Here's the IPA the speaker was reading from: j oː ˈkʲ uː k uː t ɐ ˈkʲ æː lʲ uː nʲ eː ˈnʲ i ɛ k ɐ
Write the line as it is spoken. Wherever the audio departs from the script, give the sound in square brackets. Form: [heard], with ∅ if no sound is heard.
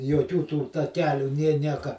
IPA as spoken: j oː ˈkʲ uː [t] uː t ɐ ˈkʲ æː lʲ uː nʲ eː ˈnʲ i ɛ k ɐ